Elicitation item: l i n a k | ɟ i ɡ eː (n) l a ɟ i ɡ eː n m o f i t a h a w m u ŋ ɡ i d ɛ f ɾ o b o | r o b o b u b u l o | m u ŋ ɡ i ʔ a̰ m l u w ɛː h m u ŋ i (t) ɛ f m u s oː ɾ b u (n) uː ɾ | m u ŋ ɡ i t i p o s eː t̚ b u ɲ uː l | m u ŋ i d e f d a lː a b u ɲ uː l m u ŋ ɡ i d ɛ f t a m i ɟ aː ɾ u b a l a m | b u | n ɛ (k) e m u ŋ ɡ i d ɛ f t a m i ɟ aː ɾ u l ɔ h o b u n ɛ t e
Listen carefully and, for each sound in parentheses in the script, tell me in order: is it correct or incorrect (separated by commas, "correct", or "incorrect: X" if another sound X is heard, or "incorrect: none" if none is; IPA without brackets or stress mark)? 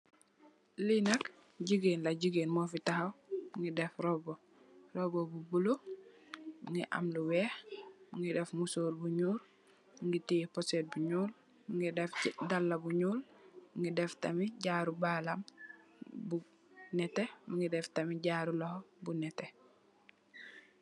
correct, incorrect: d, incorrect: ɲ, incorrect: t